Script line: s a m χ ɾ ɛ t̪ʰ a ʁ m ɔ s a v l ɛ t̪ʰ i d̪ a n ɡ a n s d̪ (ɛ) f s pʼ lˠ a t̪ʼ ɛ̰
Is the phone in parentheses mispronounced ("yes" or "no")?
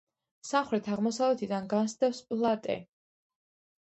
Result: no